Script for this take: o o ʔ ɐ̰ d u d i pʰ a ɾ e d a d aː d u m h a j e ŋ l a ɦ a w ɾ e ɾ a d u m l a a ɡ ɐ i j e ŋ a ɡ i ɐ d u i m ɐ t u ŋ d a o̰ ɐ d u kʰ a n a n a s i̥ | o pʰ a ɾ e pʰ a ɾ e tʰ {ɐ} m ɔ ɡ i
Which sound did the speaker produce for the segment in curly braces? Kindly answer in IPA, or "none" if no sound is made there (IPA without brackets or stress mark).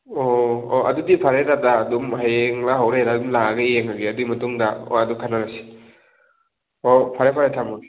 a